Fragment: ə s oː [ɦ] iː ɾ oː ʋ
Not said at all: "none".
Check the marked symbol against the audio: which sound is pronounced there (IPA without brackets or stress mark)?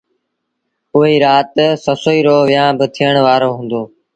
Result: none